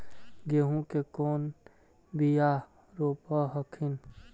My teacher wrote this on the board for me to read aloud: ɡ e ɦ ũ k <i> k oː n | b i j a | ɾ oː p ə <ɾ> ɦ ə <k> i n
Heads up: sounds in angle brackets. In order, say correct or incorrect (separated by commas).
incorrect, incorrect, incorrect